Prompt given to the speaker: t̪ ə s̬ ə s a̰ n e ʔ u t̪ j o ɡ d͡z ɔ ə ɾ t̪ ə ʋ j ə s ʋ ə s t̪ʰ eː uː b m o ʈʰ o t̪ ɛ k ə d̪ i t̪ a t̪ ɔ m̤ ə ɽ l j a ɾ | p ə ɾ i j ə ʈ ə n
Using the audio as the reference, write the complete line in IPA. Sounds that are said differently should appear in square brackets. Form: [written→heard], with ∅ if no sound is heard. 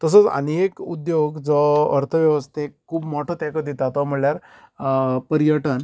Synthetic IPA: t̪ ə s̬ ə [s→t͡s] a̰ n e [ʔ→k] u [t̪→d̪] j o ɡ d͡z ɔ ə ɾ [t̪→t̪ʰ] ə ʋ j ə [s→∅] ʋ ə s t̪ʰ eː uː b m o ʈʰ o t̪ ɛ k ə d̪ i t̪ a t̪ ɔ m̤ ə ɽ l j a ɾ | p ə ɾ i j ə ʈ ə n